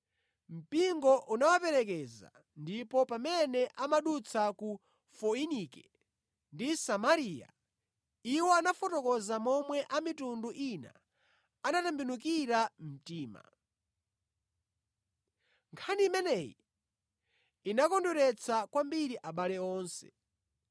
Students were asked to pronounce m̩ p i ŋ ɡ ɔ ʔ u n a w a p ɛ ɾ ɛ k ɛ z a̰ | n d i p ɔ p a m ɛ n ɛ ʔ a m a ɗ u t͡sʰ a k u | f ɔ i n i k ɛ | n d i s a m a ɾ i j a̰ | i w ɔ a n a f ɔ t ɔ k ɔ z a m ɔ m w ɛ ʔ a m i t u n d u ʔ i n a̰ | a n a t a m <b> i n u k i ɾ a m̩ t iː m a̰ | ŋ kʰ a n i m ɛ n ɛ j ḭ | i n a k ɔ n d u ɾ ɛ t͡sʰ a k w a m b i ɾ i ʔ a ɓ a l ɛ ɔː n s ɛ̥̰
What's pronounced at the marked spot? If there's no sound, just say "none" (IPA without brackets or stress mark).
b